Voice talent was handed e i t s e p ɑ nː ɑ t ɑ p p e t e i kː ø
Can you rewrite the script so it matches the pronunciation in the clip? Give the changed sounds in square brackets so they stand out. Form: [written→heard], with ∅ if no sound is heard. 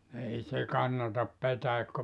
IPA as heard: e i [t→∅] s e [p→k] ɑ nː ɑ t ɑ p p e t [e→æ] i kː ø